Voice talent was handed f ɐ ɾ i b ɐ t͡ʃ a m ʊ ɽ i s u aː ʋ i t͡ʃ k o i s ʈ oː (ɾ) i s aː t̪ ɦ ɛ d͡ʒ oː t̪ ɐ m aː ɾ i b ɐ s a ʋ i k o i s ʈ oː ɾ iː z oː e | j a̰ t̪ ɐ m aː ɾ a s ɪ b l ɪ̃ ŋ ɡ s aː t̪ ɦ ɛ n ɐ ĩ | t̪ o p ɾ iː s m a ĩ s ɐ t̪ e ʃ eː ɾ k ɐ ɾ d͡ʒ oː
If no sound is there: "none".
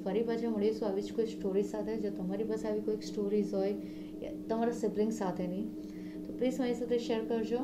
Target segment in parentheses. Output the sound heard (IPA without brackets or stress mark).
ɾ